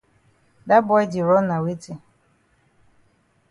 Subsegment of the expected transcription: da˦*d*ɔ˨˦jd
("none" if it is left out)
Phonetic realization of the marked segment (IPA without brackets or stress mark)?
b